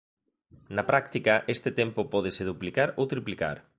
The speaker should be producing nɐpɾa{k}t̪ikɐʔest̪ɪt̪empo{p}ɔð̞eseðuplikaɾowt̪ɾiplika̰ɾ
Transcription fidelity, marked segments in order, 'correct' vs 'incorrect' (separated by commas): correct, correct